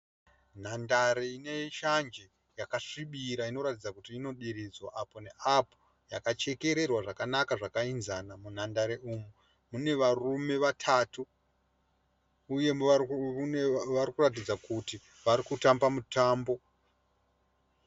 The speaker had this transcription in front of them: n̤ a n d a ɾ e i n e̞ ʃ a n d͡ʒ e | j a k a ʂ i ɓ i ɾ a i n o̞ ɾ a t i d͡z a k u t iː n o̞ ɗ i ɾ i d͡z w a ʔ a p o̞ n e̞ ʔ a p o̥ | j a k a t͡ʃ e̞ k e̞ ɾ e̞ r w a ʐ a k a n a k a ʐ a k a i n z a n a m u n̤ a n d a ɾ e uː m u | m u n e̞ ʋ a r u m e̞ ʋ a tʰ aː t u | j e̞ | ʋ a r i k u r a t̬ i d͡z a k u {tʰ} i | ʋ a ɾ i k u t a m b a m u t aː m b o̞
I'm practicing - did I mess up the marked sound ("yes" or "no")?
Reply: yes